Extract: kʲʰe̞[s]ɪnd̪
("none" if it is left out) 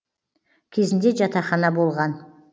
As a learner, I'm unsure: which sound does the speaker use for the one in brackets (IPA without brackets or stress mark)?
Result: z